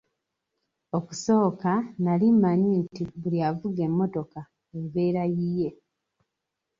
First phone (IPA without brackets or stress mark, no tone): o̞